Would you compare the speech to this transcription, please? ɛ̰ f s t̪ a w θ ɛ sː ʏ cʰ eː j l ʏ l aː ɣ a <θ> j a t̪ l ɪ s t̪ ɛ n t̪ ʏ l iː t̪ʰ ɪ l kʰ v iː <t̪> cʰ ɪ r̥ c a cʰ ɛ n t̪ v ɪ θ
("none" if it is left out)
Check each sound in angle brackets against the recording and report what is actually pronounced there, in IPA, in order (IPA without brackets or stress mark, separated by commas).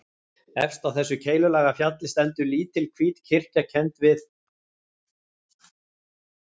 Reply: f, t̪